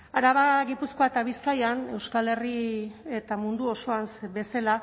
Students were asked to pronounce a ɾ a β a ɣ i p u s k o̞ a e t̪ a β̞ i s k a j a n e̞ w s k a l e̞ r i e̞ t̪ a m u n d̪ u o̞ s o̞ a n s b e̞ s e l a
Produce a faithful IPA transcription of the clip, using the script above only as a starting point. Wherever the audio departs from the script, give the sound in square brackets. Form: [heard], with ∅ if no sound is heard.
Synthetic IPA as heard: a ɾ a β a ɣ i p u s k o̞ a e t̪ a β̞ i s k a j a n e̞ w s k a l e̞ r i e̞ t̪ a m u n d̪ u o̞ s o̞ a n s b e̞ s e l a